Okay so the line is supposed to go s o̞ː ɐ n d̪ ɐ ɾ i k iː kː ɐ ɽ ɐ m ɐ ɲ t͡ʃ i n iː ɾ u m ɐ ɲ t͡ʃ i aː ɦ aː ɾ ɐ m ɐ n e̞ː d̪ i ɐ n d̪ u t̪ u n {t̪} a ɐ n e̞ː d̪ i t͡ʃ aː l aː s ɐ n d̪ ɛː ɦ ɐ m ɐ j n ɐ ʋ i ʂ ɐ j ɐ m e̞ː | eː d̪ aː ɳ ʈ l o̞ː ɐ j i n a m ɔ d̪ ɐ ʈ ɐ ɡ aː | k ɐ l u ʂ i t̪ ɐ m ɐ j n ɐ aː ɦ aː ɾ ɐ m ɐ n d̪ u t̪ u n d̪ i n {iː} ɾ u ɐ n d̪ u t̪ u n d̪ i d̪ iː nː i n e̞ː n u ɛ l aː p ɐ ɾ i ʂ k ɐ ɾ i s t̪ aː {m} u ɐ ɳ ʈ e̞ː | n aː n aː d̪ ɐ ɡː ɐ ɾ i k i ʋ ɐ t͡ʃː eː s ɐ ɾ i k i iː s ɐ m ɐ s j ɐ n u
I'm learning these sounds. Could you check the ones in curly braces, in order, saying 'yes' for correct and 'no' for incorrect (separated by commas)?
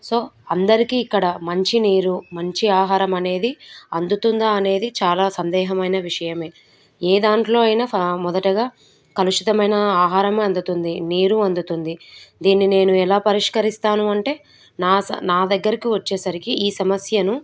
no, yes, no